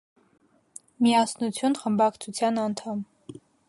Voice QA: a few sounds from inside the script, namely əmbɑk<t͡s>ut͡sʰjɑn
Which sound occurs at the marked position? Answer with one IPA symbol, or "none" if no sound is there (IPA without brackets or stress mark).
t͡sʰ